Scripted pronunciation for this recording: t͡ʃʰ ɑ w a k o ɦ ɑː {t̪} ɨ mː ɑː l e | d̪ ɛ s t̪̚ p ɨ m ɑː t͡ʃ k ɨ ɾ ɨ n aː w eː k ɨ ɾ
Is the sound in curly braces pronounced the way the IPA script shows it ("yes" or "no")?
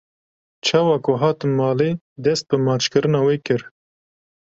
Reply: yes